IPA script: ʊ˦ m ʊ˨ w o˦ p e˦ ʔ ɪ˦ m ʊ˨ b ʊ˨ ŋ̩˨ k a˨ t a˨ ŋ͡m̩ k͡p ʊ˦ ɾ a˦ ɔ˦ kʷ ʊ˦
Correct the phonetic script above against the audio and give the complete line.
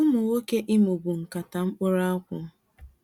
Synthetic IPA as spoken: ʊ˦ m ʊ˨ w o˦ k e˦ ʔ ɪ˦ m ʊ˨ b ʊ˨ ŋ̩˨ k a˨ t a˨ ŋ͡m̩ k͡p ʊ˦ ɾ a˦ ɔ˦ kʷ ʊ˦